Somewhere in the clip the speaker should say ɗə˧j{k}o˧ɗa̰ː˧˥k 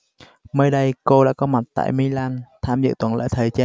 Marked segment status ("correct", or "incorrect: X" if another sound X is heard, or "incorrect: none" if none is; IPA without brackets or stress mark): correct